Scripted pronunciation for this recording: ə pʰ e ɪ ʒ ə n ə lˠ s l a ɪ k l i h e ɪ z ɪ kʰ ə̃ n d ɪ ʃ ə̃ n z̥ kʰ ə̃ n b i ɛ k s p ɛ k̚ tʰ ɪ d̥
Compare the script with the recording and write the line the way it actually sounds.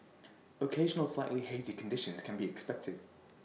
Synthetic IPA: ə kʰ e ɪ ʒ ə n ə lˠ s l a ɪ ʔ l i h e ɪ z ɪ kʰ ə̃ n d ɪ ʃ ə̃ n z̥ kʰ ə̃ n b i ɛ k s p ɛ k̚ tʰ ɪ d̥